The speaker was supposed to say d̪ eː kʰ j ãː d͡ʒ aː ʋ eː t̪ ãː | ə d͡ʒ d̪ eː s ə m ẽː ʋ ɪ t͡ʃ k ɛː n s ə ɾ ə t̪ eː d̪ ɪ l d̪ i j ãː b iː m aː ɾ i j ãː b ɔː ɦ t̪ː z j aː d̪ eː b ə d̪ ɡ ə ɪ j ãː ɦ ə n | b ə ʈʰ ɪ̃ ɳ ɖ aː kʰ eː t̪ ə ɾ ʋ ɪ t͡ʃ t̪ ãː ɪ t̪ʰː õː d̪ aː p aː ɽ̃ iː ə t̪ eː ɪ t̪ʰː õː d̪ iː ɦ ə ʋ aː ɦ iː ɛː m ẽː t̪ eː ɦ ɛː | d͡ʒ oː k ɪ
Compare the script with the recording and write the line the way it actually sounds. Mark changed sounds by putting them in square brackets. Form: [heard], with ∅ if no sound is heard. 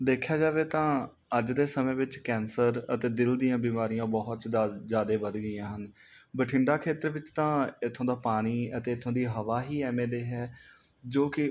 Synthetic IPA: d̪ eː kʰ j [aː] d͡ʒ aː ʋ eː t̪ ãː | ə d͡ʒ d̪ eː s ə m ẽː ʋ ɪ t͡ʃ k ɛː n s ə ɾ ə t̪ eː d̪ ɪ l d̪ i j ãː b iː m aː ɾ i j ãː b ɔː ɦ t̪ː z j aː d̪ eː b ə d̪ ɡ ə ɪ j ãː ɦ ə n | b ə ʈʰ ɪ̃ ɳ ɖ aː kʰ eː t̪ ə ɾ ʋ ɪ t͡ʃ t̪ ãː ɪ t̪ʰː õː d̪ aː p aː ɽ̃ iː ə t̪ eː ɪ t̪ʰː õː d̪ iː ɦ ə ʋ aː ɦ iː ɛː m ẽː [d̪] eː ɦ ɛː | d͡ʒ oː k ɪ